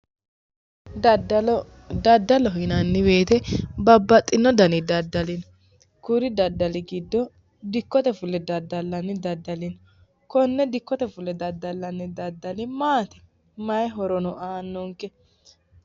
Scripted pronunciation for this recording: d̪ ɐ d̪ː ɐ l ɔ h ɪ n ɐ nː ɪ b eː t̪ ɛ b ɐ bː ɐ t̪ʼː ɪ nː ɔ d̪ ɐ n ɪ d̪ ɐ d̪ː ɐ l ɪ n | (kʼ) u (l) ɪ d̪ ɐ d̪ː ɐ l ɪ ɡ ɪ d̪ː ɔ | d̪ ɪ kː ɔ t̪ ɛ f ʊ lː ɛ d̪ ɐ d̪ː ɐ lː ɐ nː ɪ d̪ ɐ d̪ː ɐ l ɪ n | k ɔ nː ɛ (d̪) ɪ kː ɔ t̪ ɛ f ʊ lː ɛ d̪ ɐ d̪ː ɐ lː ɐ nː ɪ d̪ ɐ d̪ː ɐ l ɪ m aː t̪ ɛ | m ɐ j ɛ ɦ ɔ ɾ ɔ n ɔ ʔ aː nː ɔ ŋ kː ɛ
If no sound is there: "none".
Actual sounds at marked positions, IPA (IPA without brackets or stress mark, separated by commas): k, ɾ, d̪